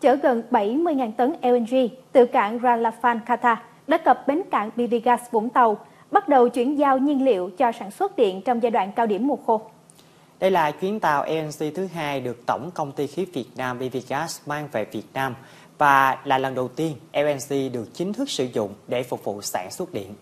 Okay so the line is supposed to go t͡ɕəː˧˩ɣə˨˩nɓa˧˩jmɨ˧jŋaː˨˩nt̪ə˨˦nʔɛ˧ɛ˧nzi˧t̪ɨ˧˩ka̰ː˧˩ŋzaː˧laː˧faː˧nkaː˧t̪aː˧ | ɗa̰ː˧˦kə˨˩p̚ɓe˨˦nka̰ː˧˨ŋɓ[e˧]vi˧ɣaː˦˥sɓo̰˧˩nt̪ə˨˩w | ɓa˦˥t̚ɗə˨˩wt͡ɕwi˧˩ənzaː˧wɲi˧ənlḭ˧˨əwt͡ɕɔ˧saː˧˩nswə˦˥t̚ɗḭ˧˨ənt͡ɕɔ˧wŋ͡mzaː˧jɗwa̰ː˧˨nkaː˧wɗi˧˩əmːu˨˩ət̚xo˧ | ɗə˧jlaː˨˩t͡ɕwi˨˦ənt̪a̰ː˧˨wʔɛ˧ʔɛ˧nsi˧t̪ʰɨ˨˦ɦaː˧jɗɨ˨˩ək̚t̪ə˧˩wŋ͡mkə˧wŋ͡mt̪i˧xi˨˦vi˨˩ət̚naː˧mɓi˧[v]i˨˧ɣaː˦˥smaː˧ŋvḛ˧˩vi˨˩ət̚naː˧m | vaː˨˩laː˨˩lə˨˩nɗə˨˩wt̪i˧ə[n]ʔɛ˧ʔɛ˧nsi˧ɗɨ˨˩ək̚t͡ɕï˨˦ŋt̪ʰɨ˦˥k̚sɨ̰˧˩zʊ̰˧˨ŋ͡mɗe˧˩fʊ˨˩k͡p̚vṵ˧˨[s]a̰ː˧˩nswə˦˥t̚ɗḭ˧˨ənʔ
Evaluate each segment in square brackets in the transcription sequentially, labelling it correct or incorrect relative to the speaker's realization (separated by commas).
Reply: incorrect, correct, correct, correct